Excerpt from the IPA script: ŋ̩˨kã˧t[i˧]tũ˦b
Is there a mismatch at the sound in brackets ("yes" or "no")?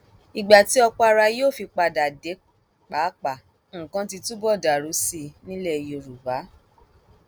no